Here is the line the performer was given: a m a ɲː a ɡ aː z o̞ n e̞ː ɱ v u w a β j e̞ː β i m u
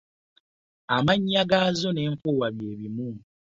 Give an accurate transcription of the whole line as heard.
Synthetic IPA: a m a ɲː a ɡ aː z o̞ n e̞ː ɱ f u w a β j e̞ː β i m u

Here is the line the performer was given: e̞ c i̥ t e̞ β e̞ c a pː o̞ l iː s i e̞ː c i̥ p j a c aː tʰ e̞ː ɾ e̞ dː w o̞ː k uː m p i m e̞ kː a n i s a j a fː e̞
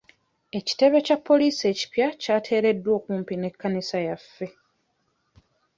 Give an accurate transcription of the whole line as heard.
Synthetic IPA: e̞ c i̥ t e̞ β e̞ c a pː o̞ l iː s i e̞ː c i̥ p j a c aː tʰ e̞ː ɾ e̞ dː w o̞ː k uː m p i n e̞ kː a n i s a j a fː e̞

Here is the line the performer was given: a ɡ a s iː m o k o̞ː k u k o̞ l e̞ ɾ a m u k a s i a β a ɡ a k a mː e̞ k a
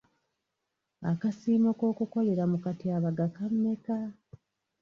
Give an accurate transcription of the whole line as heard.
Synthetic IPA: a k a s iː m o k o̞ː k u k o̞ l e̞ ɾ a m u k a t i a β a ɡ a k a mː e̞ k a

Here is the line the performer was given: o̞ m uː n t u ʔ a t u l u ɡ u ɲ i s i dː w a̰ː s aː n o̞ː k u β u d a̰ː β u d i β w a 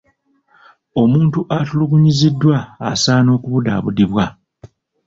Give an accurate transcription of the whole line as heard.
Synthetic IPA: o̞ m uː n t u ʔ a t u l u ɡ u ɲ i z i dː w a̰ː s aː n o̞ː k u β u d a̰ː β u d i β w a

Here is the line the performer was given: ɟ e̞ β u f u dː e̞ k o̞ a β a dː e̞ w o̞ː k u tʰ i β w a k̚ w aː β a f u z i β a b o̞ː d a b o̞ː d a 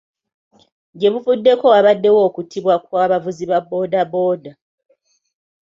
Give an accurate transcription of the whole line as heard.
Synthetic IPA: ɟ e̞ β u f u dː e̞ k o̞ a β a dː e̞ w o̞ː k u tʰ i β w a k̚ w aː β a v u z i β a b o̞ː d a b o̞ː d a

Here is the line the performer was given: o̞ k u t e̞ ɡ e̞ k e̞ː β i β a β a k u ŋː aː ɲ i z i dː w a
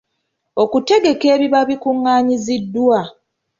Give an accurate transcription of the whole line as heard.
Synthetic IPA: o̞ k u t e̞ ɡ e̞ k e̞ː β i β a β i k u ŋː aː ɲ i z i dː w a

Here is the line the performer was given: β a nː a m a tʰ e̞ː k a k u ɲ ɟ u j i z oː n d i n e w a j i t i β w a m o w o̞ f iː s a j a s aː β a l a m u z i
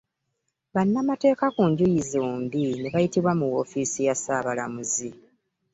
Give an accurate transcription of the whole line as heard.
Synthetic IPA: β a nː a m a t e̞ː k a k u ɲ ɟ u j i z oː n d i n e β a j i t i β w a m u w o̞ f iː s i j a s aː β a l a m u z i

